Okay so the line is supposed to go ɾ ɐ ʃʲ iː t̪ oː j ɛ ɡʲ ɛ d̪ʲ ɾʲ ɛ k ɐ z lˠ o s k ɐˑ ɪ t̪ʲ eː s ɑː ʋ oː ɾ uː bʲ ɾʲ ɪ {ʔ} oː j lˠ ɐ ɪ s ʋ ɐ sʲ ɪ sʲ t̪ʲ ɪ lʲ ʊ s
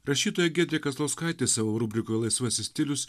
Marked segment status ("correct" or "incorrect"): incorrect